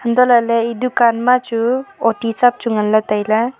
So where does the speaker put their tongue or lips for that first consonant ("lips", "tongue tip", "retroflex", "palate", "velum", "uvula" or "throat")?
throat